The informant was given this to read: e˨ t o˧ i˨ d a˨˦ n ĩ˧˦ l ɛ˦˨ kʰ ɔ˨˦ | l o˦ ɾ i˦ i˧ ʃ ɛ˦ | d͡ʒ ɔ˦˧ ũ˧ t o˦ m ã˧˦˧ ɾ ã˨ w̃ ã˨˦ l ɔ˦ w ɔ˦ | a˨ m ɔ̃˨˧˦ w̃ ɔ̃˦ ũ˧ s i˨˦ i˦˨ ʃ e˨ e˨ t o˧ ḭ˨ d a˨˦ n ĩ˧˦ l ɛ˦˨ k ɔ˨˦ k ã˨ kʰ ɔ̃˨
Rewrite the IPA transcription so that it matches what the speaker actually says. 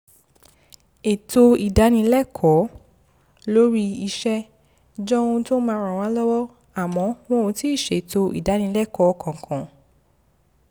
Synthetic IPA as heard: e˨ t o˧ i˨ d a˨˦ n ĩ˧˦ l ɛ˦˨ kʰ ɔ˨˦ | l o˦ ɾ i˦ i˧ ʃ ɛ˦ | d͡ʒ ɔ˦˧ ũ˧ t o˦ m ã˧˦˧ ɾ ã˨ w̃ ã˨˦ l ɔ˦ w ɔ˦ | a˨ m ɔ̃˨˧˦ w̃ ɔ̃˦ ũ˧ t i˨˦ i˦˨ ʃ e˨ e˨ t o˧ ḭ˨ d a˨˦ n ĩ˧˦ l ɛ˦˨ k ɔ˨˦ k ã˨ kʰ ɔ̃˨